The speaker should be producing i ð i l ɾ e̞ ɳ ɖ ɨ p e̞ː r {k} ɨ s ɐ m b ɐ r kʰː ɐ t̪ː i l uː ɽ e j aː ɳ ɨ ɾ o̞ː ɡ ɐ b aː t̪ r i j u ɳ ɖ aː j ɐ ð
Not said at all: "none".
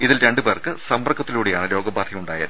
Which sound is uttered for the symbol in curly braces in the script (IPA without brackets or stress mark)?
k